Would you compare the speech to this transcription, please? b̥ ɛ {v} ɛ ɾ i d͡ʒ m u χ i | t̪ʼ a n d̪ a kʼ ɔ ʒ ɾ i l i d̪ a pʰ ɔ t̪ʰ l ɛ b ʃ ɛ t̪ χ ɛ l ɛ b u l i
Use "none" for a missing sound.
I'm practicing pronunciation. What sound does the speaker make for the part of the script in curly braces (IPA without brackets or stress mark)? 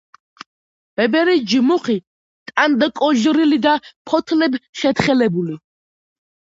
b